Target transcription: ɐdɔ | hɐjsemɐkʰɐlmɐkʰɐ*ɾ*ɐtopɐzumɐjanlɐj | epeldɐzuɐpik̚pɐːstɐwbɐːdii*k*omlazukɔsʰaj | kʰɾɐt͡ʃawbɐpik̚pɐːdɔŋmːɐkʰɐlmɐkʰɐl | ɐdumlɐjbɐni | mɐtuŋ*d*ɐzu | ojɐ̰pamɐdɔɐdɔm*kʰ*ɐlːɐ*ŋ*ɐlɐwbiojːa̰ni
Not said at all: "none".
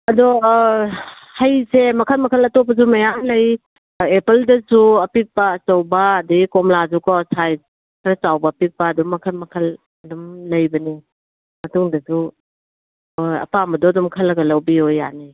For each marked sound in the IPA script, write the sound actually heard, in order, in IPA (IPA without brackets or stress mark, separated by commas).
l, k, d, kʰ, ɡ